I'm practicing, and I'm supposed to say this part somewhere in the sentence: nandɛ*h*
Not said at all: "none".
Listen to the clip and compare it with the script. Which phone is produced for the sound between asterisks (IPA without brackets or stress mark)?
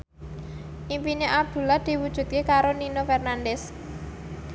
s